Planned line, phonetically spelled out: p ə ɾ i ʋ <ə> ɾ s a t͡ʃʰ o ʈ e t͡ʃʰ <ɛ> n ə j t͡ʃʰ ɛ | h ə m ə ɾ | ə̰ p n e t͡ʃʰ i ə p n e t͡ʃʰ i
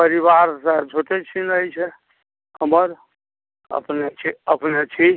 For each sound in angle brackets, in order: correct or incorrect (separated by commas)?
incorrect, incorrect